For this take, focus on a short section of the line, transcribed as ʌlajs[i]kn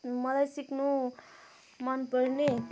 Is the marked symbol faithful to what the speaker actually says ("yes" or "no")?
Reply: yes